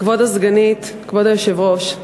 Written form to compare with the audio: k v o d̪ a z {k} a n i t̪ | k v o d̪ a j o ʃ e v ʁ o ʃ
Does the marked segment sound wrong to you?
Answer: yes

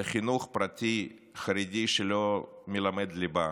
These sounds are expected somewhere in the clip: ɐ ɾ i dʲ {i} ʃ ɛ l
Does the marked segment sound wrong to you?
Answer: no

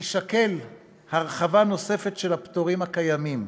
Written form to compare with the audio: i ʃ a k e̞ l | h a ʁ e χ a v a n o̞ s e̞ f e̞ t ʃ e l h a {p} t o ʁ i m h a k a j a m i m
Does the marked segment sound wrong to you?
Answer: no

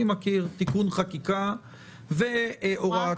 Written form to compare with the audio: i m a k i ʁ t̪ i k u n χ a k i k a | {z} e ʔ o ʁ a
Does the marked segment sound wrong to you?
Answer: yes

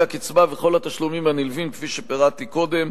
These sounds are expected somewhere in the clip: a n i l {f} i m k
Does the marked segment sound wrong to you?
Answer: yes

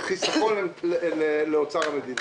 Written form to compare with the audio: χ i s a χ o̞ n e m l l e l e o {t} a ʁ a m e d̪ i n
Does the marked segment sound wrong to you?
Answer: yes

